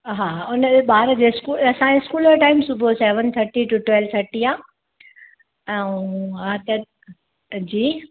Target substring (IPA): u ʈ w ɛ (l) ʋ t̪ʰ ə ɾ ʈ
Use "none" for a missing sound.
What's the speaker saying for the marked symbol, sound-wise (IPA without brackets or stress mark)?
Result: l